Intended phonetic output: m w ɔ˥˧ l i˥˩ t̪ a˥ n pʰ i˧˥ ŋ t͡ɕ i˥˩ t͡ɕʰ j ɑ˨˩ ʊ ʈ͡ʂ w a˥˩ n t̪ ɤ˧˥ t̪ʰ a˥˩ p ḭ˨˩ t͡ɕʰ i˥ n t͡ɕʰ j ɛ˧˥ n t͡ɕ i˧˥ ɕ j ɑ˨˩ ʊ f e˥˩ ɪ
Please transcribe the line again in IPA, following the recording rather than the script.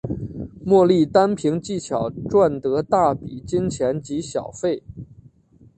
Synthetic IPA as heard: m w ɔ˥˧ l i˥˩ t̪ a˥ n pʰ i˧˥ ŋ t͡ɕ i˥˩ t͡ɕʰ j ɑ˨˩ ʊ ʈ͡ʂ w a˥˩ n t̪ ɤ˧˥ t̪ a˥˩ p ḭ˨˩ t͡ɕ i˥ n t͡ɕʰ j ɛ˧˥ n t͡ɕ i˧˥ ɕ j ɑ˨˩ ʊ f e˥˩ ɪ